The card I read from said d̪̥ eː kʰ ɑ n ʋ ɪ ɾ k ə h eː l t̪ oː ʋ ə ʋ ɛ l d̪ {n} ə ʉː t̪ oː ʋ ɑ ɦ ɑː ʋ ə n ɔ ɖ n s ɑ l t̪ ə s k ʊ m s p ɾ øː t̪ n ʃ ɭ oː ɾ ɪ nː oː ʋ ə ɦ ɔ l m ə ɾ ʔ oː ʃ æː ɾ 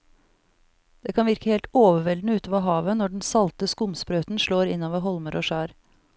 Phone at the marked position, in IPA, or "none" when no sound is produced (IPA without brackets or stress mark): n